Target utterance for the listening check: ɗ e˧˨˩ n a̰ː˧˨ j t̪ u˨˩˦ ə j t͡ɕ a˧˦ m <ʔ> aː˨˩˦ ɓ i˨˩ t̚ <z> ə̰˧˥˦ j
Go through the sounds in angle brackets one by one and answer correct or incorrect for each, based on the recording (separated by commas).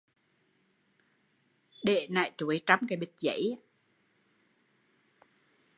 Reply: incorrect, correct